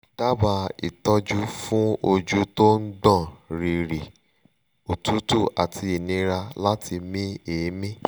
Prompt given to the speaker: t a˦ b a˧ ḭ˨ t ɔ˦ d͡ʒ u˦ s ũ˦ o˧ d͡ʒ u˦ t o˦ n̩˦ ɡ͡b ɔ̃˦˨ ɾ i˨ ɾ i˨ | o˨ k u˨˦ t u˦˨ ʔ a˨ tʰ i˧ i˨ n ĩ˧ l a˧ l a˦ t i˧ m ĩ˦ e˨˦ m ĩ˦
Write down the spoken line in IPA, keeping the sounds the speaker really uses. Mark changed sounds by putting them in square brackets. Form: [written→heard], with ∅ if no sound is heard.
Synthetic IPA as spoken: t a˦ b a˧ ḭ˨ t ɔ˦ d͡ʒ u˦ [s→f] ũ˦ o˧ d͡ʒ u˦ t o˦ n̩˦ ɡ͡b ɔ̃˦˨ ɾ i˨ ɾ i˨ | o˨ [k→t] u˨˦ t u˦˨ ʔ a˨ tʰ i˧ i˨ n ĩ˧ [l→ɾ] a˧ l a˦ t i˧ m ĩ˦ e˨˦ m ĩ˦

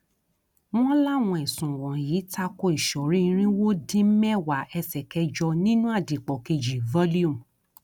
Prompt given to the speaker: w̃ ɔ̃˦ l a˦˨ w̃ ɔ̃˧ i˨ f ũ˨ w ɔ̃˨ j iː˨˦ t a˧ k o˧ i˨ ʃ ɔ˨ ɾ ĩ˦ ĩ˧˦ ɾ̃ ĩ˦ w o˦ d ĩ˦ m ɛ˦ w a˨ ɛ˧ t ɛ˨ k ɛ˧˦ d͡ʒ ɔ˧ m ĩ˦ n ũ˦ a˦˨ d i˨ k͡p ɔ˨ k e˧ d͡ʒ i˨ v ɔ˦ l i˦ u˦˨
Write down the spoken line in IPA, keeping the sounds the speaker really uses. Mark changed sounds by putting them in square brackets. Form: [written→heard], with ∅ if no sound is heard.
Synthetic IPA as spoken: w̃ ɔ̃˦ l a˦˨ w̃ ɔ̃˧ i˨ [f→s] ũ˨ w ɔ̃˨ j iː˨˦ t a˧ k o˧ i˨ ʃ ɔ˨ ɾ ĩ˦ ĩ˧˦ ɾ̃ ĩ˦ w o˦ d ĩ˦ m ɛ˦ w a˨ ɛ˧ [t→s] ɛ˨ k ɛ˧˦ d͡ʒ ɔ˧ [m→n] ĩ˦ n ũ˦ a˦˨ d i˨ k͡p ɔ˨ k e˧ d͡ʒ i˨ v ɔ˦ l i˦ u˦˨

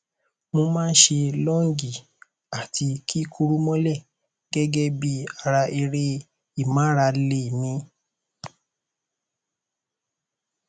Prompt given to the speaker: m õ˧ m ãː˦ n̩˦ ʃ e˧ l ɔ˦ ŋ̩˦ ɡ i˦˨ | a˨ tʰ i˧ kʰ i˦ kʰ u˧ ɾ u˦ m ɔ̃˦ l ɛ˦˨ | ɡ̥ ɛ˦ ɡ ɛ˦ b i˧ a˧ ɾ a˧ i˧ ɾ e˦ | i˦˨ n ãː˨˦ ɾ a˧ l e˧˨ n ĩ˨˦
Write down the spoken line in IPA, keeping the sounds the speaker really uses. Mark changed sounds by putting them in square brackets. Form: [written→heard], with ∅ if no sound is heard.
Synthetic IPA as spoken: m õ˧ m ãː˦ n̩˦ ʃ e˧ l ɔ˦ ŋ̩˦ ɡ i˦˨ | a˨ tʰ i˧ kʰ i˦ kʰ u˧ ɾ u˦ m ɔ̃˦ l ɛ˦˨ | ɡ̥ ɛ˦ ɡ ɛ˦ b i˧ a˧ ɾ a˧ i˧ ɾ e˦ | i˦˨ [n→m] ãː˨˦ ɾ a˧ l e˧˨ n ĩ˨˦

